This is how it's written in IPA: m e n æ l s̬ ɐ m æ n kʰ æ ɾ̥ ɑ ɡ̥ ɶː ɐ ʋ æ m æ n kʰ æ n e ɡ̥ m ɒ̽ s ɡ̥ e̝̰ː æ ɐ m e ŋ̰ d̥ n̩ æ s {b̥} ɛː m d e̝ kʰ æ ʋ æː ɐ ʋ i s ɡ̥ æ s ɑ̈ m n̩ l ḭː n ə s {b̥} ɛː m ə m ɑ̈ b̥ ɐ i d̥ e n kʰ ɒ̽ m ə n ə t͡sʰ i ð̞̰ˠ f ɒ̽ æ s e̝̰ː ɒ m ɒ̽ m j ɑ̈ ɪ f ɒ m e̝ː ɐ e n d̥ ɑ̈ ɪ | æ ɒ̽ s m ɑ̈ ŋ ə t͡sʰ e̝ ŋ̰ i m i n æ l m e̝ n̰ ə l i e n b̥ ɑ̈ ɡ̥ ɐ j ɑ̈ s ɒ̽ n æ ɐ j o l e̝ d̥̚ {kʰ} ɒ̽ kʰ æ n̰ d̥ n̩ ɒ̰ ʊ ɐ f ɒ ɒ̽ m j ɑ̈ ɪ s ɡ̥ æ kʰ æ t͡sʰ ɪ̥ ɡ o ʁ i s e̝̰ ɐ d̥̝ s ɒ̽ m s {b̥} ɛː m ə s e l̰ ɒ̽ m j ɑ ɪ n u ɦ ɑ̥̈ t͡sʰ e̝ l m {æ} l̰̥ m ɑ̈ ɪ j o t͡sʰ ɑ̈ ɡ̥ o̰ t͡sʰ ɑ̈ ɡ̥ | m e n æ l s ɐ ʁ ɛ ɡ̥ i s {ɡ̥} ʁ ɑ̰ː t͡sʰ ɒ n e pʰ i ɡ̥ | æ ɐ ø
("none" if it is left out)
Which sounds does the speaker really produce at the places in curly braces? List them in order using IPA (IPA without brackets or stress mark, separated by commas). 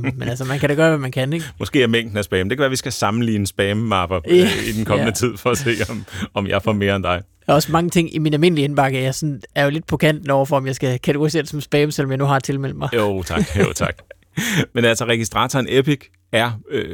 b̥, b̥, pʰ, b̥, e, d̥